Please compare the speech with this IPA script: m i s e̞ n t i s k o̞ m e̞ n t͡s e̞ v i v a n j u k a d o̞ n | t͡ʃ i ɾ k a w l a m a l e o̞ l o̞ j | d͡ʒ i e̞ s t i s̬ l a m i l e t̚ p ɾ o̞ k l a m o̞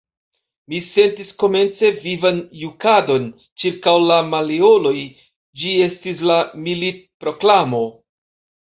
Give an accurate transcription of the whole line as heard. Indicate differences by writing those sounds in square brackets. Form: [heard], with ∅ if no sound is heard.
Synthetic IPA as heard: m i s e̞ n t i s k o̞ m e̞ n t͡s e̞ v i v a n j u k a d o̞ n | t͡ʃ i ɾ k a w l a m a l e o̞ l o̞ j | d͡ʒ i e̞ s t i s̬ l a m i l [i] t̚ p ɾ o̞ k l a m o̞